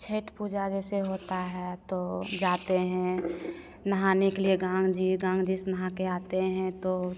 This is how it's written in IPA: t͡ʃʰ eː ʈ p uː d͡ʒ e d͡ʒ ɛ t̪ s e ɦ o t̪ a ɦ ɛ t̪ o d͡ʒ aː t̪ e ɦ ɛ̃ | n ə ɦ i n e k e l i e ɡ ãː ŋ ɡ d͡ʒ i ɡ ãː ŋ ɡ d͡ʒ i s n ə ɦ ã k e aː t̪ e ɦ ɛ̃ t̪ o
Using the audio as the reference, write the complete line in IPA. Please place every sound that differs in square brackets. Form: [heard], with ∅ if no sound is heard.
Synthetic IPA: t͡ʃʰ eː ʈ p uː d͡ʒ [a] d͡ʒ ɛ [∅] s e ɦ o t̪ a ɦ ɛ t̪ o d͡ʒ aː t̪ e ɦ ɛ̃ | n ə ɦ [a] n e k e l i e ɡ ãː ŋ ɡ d͡ʒ i ɡ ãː ŋ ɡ d͡ʒ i s n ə ɦ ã k e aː t̪ e ɦ ɛ̃ t̪ o